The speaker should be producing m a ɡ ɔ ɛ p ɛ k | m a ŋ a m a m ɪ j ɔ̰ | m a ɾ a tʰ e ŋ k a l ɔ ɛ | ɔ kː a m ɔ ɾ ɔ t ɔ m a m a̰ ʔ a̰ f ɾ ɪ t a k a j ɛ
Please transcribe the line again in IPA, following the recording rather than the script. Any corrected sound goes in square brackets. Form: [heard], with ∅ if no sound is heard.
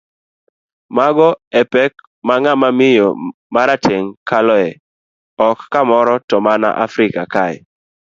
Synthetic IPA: m a ɡ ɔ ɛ p ɛ k | m a ŋ a m a m ɪ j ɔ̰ | m a ɾ a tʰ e ŋ k a l ɔ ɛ | ɔ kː a m ɔ ɾ ɔ t ɔ m a [n] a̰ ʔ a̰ f ɾ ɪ [k] a k a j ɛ